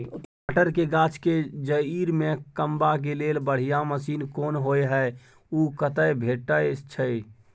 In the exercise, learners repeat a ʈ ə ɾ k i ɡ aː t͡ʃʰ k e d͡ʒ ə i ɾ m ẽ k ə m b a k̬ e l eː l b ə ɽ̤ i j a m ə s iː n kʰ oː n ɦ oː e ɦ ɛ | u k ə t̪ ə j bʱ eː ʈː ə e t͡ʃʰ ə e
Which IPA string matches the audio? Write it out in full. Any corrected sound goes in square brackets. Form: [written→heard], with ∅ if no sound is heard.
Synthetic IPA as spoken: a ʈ ə ɾ k [i→e] ɡ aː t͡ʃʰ k e d͡ʒ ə i ɾ m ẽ k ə m b a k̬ e l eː l b ə ɽ̤ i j a m ə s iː n [kʰ→k] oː n ɦ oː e ɦ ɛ | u k ə t̪ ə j bʱ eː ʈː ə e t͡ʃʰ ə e